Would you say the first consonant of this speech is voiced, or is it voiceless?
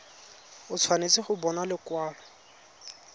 voiceless